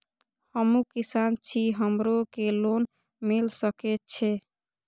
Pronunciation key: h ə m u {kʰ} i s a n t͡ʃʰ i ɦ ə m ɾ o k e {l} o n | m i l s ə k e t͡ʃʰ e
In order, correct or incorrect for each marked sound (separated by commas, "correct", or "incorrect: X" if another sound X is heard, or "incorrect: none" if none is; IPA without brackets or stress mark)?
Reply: incorrect: k, correct